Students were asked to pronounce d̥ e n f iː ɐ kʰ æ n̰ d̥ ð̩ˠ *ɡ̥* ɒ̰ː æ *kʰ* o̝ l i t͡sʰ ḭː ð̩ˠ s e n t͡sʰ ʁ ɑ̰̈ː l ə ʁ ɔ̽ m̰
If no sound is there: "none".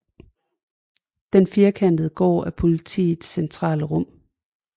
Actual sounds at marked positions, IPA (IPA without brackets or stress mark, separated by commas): ɡ̥, pʰ